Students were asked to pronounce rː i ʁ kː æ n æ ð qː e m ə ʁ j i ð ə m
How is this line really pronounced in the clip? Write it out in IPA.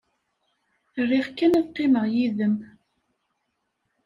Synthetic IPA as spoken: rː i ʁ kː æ n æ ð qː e m ə ʁ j i ð ə m